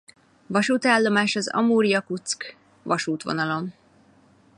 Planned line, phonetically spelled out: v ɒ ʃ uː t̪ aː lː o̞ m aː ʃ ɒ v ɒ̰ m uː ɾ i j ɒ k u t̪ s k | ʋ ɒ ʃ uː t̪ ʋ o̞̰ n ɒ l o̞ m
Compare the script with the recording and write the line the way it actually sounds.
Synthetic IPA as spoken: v ɒ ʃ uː t̪ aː lː o̞ m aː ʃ ɒ z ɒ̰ m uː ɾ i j ɒ k u t̪ s k | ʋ ɒ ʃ uː t̪ ʋ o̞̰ n ɒ l o̞ m

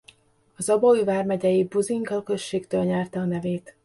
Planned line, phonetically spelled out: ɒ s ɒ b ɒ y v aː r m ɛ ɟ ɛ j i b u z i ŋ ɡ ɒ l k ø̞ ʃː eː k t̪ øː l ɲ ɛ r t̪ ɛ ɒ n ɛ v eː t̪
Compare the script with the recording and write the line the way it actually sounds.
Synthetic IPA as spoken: ɒ z ɒ b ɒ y v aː r m ɛ ɟ ɛ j i b u z i ŋ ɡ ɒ l k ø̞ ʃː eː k t̪ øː l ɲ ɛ r t̪ ɛ ɒ n ɛ v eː t̪

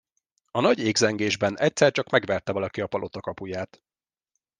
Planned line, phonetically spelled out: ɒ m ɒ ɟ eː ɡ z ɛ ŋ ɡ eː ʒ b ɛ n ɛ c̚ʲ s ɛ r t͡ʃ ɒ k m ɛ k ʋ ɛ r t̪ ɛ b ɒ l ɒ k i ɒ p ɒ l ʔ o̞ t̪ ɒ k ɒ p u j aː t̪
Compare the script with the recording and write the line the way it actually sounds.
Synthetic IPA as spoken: ɒ n ɒ ɟ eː ɡ z ɛ ŋ ɡ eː ʒ b ɛ n ɛ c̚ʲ s ɛ r t͡ʃ ɒ k m ɛ ɡ ʋ ɛ r t̪ ɛ v ɒ l ɒ k i ɒ p ɒ l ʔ o̞ t̪ ɒ k ɒ p u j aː t̪

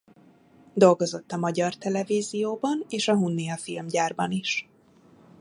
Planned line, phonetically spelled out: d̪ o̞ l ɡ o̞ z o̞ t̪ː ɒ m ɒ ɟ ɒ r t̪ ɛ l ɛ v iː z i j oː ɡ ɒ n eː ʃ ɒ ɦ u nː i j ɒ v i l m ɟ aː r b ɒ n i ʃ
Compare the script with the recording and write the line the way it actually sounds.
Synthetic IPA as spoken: d̪ o̞ l ɡ o̞ z o̞ t̪ː ɒ m ɒ ɟ ɒ r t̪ ɛ l ɛ v iː z i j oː b ɒ n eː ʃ ɒ ɦ u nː i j ɒ f i l m ɟ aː r b ɒ n i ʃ

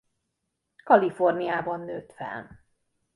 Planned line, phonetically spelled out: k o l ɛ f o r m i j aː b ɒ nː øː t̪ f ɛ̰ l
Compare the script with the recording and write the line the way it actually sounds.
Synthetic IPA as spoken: k ɒ l i f o r n i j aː b ɒ nː øː t̪ f ɛ̰ l

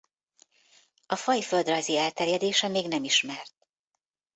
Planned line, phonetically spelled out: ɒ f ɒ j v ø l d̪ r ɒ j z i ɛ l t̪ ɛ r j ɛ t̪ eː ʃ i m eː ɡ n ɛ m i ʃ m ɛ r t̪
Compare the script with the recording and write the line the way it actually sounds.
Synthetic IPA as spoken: ɒ f ɒ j f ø l d̪ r ɒ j z i ɛ l t̪ ɛ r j ɛ d̪ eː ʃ ɛ m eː ɡ n ɛ m i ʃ m ɛ r t̪

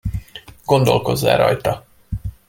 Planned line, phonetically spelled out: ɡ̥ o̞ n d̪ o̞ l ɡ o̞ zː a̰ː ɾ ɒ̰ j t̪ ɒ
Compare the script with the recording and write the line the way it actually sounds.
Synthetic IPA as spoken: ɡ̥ o̞ n d̪ o̞ l k o̞ zː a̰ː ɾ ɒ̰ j t̪ ɒ

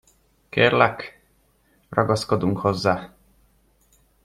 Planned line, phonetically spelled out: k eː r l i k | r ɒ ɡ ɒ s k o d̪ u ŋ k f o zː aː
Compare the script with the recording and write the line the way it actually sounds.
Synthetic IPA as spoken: k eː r l ɛ k | r ɒ ɡ ɒ s k o d̪ u ŋ k h o zː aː

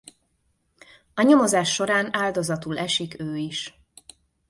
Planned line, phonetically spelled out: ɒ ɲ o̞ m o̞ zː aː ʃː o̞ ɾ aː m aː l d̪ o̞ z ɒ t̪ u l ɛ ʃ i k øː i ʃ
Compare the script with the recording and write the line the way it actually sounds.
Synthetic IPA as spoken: ɒ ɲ o̞ m o̞ z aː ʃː o̞ ɾ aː n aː l d̪ o̞ z ɒ t̪ u l ɛ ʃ i k øː i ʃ

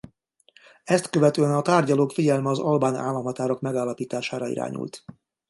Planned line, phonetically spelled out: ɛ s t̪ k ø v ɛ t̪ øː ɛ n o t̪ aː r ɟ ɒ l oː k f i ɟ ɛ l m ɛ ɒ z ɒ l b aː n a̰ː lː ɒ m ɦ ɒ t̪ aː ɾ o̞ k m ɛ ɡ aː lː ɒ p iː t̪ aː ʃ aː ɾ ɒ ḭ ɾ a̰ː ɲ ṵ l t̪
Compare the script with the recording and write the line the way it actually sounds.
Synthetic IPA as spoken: ɛ s t̪ k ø v ɛ t̪ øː ɛ n ɒ t̪ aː r ɟ ɒ l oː k f i ɟ ɛ l m ɛ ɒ z ɒ l b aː n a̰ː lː ɒ m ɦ ɒ t̪ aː ɾ o̞ k m ɛ ɡ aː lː ɒ p iː t̪ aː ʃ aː ɾ ɒ ḭ ɾ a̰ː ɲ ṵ l t̪

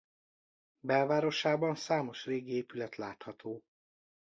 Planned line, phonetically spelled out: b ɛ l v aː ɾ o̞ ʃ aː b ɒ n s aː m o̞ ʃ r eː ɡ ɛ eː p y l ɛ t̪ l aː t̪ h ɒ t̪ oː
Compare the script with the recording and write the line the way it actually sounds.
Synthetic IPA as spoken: b ɛ l v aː ɾ o̞ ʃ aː b ɒ n s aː m o̞ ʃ r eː ɡ i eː p y l ɛ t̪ l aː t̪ h ɒ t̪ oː

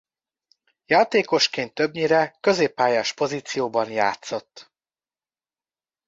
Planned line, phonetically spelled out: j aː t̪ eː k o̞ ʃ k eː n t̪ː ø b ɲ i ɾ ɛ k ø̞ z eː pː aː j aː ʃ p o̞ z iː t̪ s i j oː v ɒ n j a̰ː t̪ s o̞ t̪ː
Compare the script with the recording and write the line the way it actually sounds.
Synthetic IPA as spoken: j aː t̪ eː k o̞ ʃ k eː n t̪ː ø b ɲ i ɾ ɛ k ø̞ z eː pː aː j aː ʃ p o̞ z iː t̪ s i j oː b ɒ n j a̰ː t̪ s o̞ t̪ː

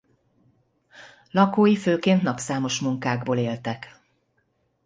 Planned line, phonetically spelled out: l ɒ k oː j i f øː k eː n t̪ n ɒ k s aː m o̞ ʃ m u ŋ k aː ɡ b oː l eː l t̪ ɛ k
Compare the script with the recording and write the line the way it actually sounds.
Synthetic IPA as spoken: l ɒ k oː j i f øː k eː n t̪ n ɒ p s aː m o̞ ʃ m u ŋ k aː ɡ b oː l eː l t̪ ɛ k

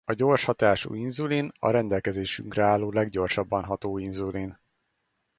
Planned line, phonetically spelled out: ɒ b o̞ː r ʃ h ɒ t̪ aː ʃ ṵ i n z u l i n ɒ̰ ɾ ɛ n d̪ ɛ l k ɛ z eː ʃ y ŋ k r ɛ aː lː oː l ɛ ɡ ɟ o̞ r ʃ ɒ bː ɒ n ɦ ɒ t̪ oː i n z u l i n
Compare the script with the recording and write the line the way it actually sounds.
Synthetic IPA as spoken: ɒ ɟ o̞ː r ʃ h ɒ t̪ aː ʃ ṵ i n z u l i n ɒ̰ ɾ ɛ n d̪ ɛ l k ɛ z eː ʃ y ŋ k r ɛ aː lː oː l ɛ ɡ ɟ o̞ r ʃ ɒ bː ɒ n ɦ ɒ t̪ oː i n z u l i n

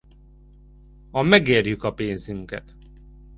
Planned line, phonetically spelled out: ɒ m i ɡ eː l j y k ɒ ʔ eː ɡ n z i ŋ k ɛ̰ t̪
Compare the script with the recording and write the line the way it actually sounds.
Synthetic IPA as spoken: ɒ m ɛ ɡ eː r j y k ɒ p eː n z y ŋ k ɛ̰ t̪

